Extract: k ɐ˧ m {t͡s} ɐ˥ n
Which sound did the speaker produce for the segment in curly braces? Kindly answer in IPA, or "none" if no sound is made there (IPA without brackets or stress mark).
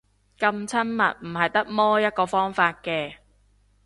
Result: t͡sʰ